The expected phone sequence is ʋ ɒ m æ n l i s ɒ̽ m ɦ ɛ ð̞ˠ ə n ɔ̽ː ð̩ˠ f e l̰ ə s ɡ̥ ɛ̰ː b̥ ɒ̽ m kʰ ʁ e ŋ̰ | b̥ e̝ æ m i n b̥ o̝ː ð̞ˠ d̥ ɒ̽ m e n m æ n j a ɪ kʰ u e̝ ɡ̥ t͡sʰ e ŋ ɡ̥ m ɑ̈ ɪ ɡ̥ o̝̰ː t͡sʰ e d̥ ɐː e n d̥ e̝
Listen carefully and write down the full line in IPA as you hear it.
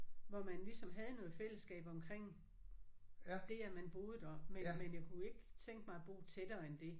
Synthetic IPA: ʋ ɒ m æ n l i s ɒ̽ m ɦ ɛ ð̞ˠ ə n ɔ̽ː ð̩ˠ f e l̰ ə s ɡ̥ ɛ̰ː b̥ ɒ̽ m kʰ ʁ e ŋ̰ | d̥ e̝ æ m æ n b̥ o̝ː ð̞ˠ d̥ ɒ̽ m e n m e n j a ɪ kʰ u e̝ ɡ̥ t͡sʰ e ŋ ɡ̥ m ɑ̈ ɪ b̥ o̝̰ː t͡sʰ e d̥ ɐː e n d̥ e̝